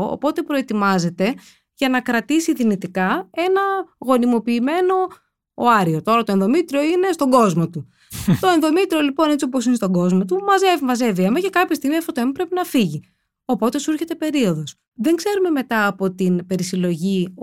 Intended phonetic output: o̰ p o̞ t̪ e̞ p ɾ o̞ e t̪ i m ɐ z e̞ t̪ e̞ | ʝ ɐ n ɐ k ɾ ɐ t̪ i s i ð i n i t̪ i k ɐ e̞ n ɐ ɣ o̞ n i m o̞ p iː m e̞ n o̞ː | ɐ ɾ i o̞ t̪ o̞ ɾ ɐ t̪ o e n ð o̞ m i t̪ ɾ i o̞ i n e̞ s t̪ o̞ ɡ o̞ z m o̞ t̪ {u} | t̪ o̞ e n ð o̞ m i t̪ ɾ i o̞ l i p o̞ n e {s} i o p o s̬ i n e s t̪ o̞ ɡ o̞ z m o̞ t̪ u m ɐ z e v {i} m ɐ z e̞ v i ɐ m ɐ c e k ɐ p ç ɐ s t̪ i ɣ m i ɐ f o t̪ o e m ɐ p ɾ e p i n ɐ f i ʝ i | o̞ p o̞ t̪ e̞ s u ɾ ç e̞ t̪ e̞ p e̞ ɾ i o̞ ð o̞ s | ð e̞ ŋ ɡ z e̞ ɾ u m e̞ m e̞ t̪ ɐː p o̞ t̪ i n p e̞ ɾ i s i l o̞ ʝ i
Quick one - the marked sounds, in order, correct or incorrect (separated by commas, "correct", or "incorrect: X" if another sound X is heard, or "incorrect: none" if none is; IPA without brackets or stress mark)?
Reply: correct, incorrect: t͡s, correct